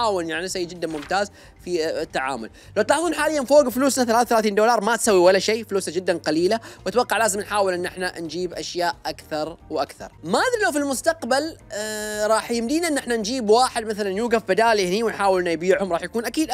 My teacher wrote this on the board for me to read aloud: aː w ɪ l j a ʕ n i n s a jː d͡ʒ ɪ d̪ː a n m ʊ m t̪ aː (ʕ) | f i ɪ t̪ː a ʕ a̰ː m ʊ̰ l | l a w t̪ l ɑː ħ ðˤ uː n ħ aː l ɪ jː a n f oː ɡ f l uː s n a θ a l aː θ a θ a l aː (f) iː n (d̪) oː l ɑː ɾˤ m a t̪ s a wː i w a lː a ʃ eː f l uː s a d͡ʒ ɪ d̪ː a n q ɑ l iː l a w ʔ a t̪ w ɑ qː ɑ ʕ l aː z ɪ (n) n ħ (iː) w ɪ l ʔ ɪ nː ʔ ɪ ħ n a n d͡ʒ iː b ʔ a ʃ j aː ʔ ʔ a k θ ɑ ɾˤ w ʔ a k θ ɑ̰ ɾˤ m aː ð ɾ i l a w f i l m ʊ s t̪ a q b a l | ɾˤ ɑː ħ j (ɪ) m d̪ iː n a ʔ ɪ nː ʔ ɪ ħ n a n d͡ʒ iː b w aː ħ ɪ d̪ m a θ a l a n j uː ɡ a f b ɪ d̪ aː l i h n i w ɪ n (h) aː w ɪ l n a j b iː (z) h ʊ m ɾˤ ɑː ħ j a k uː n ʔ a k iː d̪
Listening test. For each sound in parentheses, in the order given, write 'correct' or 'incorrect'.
incorrect: z, incorrect: θ, correct, incorrect: m, incorrect: aː, correct, incorrect: ħ, incorrect: ʕ

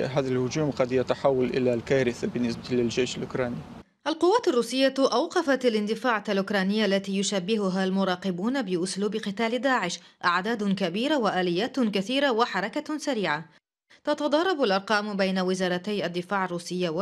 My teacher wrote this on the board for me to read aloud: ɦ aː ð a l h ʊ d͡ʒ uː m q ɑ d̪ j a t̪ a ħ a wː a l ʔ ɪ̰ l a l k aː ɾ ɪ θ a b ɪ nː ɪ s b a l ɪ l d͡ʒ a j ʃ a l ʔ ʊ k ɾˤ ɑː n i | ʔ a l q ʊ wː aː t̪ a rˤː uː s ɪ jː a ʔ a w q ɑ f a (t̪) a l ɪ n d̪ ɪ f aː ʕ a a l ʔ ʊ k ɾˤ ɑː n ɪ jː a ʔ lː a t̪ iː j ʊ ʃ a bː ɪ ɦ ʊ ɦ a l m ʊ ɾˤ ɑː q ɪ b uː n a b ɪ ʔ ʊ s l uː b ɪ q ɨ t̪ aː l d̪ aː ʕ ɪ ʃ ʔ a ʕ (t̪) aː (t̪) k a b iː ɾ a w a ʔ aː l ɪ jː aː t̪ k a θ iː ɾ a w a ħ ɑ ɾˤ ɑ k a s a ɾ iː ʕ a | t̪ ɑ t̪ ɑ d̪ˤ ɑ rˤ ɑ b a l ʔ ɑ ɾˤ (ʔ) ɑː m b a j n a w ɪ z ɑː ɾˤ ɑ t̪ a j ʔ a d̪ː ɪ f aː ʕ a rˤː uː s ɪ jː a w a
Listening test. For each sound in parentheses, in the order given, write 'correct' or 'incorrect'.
correct, incorrect: d̪, incorrect: d̪, incorrect: q

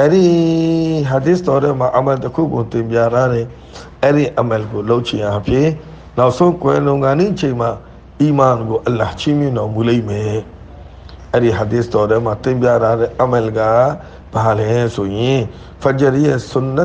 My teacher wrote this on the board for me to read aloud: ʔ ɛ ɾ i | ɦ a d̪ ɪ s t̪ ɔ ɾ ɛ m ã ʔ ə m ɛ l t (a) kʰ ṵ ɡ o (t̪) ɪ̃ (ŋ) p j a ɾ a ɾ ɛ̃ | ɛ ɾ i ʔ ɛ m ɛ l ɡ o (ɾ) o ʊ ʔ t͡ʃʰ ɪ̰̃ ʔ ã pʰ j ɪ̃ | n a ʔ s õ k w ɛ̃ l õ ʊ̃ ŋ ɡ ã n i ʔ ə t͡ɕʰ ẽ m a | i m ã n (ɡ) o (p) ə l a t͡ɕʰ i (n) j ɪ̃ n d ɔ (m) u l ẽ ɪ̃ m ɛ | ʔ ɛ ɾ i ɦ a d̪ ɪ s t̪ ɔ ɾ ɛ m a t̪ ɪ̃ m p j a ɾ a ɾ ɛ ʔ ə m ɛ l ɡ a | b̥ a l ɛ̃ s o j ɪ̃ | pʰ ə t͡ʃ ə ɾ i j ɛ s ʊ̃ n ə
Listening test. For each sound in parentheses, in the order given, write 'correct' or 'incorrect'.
incorrect: ə, correct, incorrect: m, incorrect: l, correct, incorrect: ʔ, incorrect: m, correct

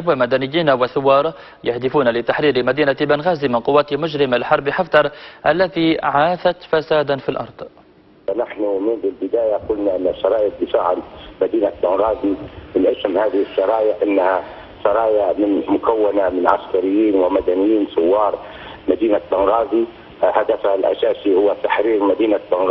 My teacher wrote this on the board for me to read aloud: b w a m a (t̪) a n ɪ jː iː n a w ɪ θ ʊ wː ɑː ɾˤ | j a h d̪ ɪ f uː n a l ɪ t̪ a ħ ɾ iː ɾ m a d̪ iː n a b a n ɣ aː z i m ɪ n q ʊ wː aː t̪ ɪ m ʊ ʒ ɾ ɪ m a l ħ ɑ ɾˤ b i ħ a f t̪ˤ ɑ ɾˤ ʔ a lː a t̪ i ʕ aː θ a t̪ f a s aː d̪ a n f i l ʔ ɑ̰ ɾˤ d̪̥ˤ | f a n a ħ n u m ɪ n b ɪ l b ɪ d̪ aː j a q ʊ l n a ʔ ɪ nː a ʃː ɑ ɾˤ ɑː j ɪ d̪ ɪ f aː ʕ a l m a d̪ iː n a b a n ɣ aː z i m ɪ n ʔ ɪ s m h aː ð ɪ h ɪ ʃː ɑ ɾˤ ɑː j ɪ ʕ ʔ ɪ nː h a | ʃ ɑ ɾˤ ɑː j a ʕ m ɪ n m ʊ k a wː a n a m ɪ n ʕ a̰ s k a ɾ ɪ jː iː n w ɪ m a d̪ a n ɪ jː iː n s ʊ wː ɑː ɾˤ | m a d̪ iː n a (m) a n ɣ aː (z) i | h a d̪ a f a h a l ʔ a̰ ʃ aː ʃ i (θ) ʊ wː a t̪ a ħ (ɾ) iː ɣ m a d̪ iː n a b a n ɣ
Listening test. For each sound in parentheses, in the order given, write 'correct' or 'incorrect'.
incorrect: d̪, incorrect: b, correct, incorrect: h, correct

